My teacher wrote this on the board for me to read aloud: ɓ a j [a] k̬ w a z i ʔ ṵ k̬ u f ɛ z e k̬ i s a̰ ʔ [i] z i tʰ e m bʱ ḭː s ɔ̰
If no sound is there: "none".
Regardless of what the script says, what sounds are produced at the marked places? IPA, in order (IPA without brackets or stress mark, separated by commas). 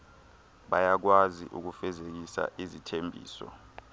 a, i